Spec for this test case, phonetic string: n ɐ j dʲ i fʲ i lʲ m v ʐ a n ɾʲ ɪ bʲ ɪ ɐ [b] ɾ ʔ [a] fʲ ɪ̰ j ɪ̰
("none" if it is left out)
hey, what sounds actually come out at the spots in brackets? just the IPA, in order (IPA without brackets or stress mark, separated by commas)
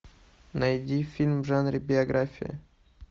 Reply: ɡ, a